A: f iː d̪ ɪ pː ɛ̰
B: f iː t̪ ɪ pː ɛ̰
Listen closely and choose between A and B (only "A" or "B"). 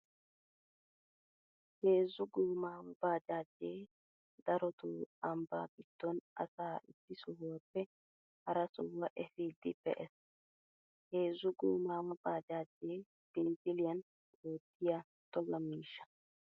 A